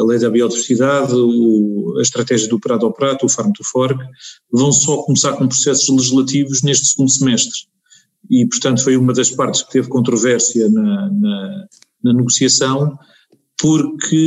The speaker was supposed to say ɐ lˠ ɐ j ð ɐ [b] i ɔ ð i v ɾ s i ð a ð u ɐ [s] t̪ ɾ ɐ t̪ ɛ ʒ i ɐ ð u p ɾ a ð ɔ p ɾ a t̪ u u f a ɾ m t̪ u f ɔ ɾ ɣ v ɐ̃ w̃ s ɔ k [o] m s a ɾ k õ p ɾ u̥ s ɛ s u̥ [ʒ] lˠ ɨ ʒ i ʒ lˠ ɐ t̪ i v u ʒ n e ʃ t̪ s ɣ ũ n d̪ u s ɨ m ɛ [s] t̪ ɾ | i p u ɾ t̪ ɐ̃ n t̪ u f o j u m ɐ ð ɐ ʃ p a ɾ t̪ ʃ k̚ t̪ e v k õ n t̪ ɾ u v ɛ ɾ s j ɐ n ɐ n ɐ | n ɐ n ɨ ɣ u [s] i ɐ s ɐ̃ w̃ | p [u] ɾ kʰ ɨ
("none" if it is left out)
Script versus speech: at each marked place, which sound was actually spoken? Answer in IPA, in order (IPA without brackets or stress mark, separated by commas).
β, ʃ, u, ʒ, ʃ, s, u